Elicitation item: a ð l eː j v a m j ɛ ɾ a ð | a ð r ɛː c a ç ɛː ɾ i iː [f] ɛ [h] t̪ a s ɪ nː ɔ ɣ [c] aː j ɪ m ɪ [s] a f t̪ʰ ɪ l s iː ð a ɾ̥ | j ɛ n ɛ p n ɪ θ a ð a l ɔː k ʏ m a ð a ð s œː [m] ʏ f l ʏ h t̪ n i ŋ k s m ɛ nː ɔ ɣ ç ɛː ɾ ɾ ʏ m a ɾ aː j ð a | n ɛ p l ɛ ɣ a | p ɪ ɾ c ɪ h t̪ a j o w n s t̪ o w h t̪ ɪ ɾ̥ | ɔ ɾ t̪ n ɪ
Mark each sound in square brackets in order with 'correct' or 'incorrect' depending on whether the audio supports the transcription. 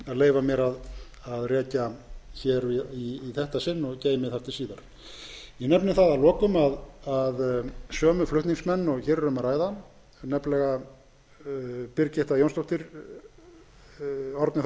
incorrect: θ, correct, correct, incorrect: θ, correct

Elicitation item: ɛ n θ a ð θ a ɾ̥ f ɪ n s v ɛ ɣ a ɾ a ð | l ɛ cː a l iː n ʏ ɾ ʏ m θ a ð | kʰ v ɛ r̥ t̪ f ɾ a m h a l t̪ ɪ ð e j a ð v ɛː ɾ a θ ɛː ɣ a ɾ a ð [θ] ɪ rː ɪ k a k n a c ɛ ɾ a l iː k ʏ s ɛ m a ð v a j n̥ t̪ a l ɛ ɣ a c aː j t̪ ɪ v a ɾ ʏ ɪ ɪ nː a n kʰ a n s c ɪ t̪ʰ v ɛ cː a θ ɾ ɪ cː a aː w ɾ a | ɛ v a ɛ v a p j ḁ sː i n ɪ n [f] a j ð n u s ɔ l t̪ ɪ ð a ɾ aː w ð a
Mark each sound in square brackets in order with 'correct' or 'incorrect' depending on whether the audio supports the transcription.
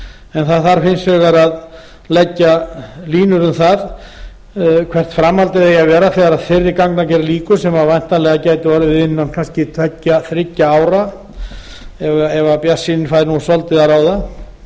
incorrect: f, correct

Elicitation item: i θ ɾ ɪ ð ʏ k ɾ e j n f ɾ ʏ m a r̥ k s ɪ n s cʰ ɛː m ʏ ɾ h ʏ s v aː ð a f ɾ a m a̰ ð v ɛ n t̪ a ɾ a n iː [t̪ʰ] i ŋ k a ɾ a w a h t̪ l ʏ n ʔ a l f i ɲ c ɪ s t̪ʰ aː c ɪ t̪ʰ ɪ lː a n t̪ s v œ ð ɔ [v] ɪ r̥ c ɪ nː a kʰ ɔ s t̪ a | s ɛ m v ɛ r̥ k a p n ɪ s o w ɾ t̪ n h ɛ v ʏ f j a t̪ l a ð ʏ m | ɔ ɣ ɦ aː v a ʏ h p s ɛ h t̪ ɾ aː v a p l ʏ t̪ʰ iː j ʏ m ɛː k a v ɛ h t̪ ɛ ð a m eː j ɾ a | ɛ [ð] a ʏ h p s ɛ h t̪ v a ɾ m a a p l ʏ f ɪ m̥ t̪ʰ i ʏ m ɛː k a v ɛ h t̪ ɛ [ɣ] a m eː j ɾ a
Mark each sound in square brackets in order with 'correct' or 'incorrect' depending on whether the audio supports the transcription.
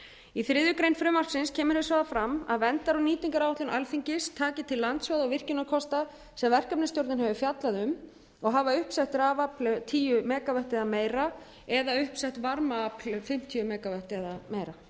incorrect: t̪, correct, correct, incorrect: ð

